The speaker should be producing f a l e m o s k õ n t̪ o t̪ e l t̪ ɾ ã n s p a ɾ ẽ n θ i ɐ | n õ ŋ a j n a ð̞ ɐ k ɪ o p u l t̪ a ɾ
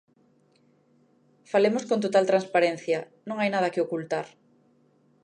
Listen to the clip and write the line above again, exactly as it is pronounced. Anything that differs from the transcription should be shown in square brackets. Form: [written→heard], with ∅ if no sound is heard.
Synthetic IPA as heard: f a l e m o s k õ n t̪ o t̪ [e→a] l t̪ ɾ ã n s p a ɾ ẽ n θ [i→j] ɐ | n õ ŋ a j n a ð̞ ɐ k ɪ o [p→k] u l t̪ a ɾ